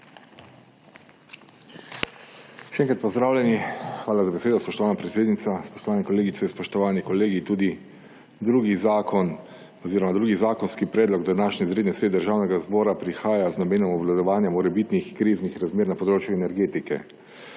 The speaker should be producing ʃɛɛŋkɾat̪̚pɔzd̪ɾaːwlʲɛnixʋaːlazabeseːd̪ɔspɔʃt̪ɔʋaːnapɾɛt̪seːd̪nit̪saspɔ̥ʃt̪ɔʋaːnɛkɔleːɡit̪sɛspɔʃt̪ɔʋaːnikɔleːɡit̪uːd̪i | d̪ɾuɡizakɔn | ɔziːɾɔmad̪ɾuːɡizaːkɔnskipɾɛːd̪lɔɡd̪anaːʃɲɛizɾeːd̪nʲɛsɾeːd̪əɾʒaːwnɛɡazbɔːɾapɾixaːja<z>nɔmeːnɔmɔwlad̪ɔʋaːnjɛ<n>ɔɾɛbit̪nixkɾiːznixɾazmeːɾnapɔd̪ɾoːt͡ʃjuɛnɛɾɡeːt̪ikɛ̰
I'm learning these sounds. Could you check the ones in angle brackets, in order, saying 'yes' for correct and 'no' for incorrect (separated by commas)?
yes, no